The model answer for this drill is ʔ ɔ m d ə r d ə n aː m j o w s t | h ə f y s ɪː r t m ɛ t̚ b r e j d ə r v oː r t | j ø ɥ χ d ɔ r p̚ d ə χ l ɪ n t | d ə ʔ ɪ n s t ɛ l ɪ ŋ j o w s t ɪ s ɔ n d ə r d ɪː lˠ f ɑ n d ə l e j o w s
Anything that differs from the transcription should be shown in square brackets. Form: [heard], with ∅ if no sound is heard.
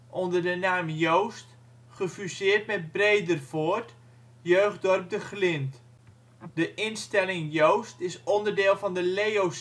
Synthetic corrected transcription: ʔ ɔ [n] d ə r d ə n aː m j o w s t | [χ] ə f y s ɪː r t m ɛ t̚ b r e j d ə r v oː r t | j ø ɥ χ d ɔ r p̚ d ə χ l ɪ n t | d ə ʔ ɪ n s t ɛ l ɪ ŋ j o w s t ɪ s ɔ n d ə r d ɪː lˠ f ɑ n d ə l e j o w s